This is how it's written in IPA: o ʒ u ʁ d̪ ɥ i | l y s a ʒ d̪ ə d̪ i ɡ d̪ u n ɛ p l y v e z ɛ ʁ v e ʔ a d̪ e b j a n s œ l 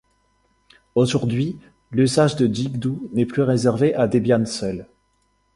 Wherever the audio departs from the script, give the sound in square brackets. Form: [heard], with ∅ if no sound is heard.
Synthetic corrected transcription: o ʒ u ʁ d̪ ɥ i | l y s a ʒ d̪ ə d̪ i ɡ d̪ u n ɛ p l y [ʁ] e z ɛ ʁ v e ʔ a d̪ e b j a n s œ l